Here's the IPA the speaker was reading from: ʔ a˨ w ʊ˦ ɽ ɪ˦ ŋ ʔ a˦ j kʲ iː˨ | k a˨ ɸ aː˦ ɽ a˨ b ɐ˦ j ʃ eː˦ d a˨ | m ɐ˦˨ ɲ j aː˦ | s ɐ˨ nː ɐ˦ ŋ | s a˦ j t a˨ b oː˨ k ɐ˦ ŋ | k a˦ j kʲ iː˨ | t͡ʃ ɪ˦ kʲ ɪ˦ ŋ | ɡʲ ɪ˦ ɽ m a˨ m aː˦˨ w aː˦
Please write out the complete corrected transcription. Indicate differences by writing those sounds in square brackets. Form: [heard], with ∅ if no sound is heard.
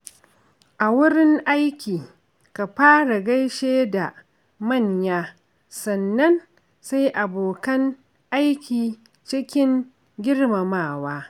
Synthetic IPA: ʔ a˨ w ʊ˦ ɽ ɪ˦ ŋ ʔ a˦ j kʲ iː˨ | k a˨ ɸ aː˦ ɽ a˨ [ɡ] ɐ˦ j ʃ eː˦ d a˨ | m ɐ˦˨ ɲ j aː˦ | s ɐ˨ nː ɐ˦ [n] | s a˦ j [ʔ] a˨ b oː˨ k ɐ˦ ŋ | [ʔ] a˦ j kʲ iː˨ | t͡ʃ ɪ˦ kʲ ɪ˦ ŋ | ɡʲ ɪ˦ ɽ m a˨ m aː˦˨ w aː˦